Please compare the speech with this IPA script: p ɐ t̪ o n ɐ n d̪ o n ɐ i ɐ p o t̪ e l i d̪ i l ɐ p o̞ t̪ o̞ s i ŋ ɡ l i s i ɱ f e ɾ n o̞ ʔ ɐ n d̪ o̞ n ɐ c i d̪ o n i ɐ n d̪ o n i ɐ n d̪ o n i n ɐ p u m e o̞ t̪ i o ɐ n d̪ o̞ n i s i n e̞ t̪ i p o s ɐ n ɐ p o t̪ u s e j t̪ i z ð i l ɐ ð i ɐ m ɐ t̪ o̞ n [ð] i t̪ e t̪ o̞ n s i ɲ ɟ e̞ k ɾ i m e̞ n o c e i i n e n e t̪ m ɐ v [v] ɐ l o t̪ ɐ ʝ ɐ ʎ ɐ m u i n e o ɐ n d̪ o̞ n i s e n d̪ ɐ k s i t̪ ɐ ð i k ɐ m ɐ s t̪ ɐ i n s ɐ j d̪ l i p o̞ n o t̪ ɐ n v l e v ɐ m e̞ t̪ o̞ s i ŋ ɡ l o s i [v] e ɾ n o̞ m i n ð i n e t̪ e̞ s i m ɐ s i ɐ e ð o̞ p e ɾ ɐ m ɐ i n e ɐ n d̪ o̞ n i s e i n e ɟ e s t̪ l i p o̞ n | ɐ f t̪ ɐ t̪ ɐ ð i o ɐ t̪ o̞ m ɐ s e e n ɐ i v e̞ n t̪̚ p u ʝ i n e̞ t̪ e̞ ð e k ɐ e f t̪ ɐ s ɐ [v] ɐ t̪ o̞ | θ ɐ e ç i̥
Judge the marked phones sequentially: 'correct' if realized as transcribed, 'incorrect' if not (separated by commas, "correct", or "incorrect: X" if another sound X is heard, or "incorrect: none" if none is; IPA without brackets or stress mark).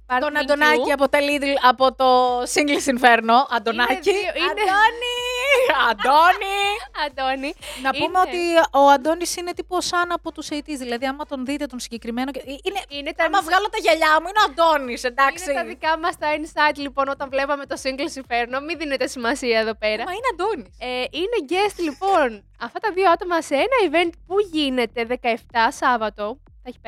correct, incorrect: ɣ, incorrect: f, correct